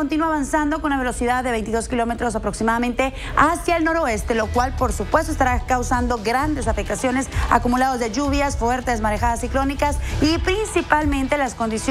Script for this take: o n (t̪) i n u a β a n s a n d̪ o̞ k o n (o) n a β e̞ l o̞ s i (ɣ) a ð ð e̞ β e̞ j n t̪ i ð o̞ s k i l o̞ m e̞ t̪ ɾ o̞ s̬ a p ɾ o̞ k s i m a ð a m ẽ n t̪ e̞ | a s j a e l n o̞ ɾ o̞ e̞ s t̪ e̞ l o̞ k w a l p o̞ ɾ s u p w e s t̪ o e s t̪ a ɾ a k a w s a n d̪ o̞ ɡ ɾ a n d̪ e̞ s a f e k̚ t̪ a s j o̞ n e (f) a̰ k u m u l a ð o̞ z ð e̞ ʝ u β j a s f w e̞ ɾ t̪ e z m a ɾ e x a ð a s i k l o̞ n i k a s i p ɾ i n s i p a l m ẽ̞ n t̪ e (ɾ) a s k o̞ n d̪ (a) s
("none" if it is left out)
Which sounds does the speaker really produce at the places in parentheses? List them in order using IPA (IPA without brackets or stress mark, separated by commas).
t̪, u, ð, s, l, i